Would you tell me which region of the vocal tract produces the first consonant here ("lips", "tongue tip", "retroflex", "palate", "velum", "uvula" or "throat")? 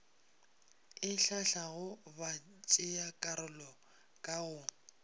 tongue tip